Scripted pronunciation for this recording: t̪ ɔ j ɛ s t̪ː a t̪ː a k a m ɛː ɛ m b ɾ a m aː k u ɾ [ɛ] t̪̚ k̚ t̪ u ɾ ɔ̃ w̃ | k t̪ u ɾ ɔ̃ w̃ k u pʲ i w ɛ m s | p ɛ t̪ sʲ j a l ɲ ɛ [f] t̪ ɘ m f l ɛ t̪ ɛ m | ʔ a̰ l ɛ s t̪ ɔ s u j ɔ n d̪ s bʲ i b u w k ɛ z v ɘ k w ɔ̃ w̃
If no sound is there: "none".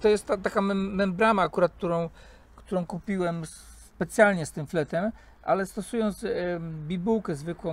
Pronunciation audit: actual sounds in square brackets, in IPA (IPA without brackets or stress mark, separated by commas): a, s